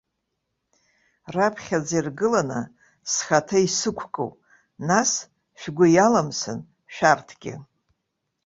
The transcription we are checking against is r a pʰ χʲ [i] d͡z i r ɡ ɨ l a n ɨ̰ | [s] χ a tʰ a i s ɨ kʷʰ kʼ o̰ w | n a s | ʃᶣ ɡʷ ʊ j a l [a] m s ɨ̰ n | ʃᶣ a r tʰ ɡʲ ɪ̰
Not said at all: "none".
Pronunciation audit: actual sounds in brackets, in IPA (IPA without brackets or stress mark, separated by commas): a, s, a